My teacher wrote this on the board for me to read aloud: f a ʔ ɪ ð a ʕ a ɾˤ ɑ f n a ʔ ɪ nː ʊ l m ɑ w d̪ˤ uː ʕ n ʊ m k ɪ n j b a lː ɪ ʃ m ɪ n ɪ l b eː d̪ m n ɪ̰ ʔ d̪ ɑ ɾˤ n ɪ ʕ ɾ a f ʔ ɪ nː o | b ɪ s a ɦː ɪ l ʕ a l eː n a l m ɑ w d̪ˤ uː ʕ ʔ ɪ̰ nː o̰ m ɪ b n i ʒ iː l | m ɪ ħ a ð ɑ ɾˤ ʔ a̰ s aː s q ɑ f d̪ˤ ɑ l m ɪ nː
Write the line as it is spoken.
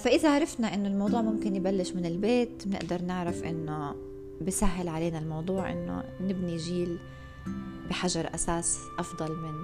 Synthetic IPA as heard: f a ʔ ɪ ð a ʕ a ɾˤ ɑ f n a ʔ ɪ nː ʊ l m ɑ w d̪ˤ uː ʕ m ʊ m k ɪ n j b a lː ɪ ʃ m ɪ n ɪ l b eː t̪ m n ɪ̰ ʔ d̪ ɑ ɾˤ n ɪ ʕ ɾ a f ʔ ɪ nː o | b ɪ s a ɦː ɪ l ʕ a l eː n a l m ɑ w d̪ˤ uː ʕ ʔ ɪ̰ nː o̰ n ɪ b n i ʒ iː l | b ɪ ħ a ʒ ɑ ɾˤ ʔ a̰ s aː s ʔ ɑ f d̪ˤ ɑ l m ɪ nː